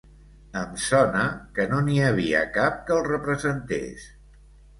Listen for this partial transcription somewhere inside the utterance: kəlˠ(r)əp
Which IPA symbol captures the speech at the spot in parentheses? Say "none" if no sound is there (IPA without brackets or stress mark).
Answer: r